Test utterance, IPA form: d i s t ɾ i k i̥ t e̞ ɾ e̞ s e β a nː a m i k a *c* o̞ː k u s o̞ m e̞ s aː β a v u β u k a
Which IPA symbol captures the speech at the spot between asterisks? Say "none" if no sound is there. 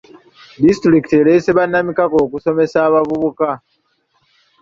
k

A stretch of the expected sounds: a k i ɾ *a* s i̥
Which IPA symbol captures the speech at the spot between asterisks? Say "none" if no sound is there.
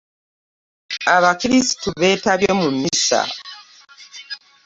i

